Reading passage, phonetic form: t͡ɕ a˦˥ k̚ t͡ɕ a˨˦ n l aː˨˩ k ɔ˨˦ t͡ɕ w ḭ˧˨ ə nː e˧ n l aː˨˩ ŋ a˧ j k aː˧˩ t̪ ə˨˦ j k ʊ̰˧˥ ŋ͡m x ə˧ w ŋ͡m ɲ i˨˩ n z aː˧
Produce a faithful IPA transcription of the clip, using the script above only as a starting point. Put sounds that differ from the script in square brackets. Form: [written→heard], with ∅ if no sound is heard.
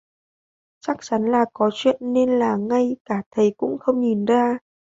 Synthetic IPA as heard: t͡ɕ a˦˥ k̚ t͡ɕ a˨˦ n l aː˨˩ k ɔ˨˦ t͡ɕ w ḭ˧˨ ə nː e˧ n l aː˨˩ ŋ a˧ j k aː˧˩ [t̪→t̪ʰ] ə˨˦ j k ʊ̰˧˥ ŋ͡m x ə˧ w ŋ͡m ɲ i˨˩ n z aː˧